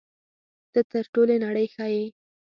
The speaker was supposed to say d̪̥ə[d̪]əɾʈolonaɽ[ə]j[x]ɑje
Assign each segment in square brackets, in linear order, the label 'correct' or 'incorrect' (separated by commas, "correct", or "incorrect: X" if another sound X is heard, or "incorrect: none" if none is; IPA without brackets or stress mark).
incorrect: t̪, correct, correct